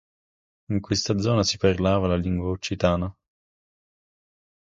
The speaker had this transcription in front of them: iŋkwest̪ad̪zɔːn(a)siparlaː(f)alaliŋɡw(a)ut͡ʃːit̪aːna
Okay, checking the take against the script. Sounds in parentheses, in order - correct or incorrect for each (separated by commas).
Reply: correct, incorrect, correct